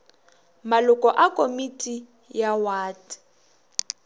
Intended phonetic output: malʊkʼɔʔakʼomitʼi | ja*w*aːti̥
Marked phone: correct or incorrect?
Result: correct